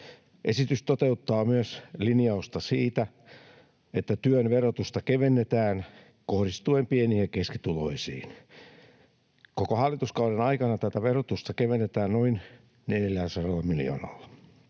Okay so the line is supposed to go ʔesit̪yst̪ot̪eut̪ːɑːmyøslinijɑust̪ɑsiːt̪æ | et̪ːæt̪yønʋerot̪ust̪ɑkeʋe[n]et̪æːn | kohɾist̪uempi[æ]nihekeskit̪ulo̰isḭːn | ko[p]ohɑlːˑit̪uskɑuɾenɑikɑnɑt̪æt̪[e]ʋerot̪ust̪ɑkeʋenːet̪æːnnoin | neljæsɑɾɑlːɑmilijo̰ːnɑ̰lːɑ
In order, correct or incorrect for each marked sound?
incorrect: nː, incorrect: e, incorrect: k, incorrect: æ

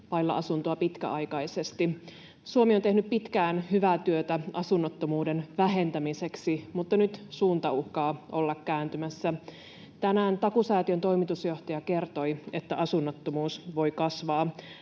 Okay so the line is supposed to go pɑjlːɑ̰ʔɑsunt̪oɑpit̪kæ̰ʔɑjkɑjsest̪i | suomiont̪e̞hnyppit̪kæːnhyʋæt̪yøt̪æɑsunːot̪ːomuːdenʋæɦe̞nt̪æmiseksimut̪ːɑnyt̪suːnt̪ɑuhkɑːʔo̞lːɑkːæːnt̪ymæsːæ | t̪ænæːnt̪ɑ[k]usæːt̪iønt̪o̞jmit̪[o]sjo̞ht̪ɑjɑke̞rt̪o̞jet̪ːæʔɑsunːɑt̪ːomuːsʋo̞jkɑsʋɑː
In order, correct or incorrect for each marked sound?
correct, incorrect: u

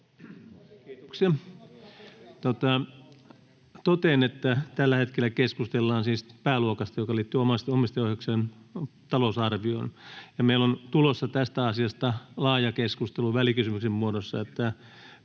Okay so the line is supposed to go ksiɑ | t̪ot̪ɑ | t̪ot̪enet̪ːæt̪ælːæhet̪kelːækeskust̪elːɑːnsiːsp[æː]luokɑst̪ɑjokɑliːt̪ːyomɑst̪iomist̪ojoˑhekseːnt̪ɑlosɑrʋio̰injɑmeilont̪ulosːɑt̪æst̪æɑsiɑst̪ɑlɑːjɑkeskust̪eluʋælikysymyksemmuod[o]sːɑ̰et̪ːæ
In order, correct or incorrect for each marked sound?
correct, correct

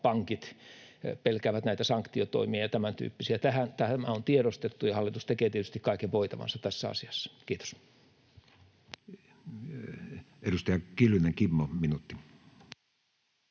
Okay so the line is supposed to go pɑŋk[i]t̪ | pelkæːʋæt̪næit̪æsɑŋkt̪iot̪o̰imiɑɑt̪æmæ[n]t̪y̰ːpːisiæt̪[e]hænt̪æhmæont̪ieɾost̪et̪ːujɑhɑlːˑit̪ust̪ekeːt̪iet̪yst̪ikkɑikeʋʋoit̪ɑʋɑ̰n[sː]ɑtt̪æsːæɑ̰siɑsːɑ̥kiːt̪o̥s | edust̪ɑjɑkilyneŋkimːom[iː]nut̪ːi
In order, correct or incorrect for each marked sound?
correct, correct, incorrect: æ, incorrect: s, incorrect: i

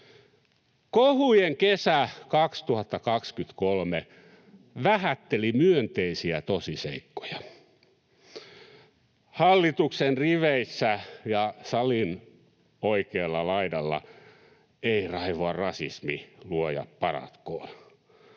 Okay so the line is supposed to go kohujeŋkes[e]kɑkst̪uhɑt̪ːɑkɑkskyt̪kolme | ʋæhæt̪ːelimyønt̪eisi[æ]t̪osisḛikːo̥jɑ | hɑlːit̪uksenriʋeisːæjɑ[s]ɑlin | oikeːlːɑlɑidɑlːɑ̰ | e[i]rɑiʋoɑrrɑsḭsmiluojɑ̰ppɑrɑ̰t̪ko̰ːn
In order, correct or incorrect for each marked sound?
incorrect: æ, correct, correct, correct

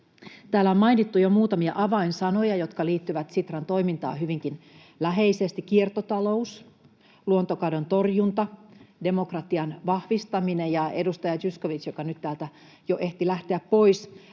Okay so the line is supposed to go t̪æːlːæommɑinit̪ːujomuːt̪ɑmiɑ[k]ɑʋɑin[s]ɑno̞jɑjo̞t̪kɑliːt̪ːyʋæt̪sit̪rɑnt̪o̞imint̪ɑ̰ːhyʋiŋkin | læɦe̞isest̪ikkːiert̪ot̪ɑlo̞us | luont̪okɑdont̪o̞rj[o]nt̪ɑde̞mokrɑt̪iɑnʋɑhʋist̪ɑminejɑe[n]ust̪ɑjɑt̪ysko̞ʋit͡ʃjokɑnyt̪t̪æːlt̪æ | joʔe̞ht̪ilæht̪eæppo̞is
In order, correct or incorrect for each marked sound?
incorrect: ʔ, correct, incorrect: u, incorrect: d

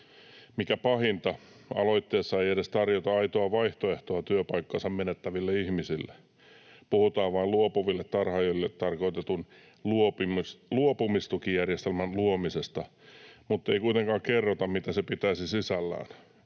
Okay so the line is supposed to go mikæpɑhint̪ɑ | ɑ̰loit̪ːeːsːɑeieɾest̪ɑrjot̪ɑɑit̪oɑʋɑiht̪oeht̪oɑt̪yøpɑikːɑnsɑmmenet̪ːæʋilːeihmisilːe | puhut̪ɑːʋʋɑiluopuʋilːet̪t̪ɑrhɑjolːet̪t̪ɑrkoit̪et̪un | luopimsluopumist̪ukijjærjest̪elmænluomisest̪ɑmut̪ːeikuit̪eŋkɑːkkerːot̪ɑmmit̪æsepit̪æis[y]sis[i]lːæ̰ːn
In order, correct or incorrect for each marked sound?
incorrect: i, incorrect: æ

